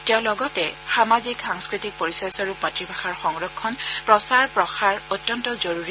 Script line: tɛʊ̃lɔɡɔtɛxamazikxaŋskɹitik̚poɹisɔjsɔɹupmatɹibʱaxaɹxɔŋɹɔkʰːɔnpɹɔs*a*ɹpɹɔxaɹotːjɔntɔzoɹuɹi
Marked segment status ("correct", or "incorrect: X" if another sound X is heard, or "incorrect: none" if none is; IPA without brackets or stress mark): correct